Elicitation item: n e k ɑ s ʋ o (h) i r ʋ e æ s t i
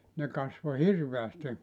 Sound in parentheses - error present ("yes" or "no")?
no